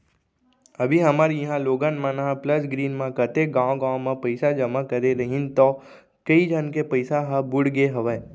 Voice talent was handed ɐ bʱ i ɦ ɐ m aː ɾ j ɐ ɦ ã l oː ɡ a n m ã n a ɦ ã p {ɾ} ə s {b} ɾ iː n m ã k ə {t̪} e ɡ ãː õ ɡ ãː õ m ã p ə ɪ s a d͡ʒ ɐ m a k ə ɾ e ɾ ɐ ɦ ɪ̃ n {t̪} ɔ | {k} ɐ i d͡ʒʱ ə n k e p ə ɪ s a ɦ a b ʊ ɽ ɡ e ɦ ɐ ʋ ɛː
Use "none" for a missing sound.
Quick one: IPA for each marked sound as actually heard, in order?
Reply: l, ɡ, t̪, t̪, k

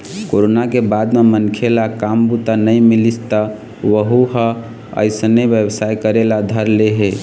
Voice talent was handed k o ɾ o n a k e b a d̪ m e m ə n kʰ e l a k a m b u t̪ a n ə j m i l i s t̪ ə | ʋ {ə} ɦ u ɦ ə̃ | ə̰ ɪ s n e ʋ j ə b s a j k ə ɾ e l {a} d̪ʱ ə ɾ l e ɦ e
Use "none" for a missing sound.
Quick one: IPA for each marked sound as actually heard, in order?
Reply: ə, a

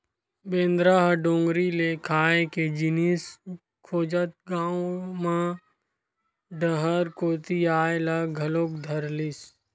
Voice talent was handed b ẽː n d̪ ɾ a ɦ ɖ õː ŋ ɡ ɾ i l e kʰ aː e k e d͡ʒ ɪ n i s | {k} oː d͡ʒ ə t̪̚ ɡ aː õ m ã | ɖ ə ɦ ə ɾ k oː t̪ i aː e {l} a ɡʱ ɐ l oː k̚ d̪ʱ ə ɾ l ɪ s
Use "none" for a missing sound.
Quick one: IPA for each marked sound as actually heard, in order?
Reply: kʰ, l

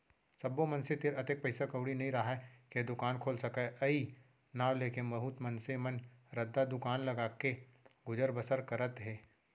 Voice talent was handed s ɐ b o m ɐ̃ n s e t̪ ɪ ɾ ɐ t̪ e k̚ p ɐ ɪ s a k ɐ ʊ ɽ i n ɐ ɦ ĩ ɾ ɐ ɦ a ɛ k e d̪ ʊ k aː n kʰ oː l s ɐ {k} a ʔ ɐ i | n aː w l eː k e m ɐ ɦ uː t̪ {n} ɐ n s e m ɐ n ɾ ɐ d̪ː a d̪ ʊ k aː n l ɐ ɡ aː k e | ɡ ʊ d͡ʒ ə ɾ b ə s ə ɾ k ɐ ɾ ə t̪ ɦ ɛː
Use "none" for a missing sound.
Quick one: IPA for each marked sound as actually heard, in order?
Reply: k, m

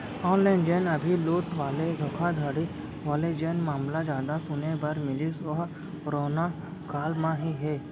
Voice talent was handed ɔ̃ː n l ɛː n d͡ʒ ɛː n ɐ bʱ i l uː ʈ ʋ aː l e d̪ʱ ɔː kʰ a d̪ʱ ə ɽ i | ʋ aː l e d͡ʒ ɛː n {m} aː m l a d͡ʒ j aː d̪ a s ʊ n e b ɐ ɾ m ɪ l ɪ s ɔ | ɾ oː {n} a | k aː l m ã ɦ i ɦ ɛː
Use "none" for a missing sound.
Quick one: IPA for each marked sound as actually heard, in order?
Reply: m, n

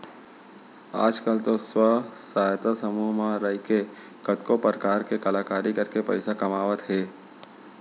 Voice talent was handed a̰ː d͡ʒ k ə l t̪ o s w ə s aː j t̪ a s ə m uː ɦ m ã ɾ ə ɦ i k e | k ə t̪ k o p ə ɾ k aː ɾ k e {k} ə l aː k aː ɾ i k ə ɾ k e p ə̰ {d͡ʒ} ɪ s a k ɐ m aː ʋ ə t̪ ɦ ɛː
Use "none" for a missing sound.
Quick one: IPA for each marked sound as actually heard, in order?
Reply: k, none

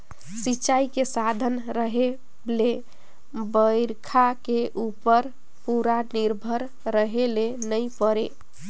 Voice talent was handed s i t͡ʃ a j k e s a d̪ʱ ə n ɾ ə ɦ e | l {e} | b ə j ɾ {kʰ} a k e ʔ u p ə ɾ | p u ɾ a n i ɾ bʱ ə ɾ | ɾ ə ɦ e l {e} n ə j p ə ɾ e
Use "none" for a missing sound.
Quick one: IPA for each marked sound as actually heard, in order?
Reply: e, kʰ, e

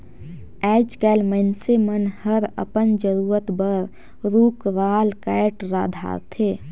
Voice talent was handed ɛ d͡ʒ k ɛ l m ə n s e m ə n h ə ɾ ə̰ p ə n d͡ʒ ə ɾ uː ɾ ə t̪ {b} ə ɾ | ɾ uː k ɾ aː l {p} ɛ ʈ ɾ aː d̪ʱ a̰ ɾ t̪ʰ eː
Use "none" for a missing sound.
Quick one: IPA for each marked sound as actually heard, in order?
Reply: b, k

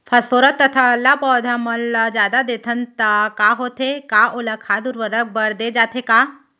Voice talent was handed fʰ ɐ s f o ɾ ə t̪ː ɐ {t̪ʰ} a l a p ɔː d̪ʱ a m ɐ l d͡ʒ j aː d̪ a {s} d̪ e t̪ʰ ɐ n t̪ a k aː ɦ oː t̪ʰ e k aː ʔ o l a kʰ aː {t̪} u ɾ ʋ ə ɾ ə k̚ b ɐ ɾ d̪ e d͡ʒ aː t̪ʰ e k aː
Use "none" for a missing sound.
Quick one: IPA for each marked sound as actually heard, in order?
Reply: t̪ʰ, none, d̪

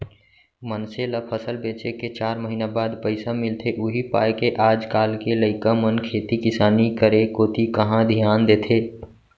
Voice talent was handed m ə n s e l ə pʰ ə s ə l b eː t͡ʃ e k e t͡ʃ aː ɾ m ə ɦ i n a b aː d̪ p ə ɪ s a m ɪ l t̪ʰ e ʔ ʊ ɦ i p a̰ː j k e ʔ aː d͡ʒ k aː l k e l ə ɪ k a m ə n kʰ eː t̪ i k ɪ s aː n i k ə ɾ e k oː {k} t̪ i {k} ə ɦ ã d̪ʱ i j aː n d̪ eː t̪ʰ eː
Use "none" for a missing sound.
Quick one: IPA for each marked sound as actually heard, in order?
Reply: none, k

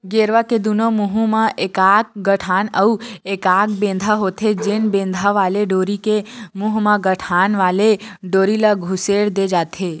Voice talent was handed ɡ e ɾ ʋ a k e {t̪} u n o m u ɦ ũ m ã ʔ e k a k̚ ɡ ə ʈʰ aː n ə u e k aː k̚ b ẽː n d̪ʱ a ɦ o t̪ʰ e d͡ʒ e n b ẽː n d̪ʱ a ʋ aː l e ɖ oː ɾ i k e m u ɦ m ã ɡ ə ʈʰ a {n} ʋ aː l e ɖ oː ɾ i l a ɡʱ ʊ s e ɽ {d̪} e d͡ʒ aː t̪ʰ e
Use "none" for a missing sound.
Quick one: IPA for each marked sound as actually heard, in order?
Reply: d̪, n, d̪

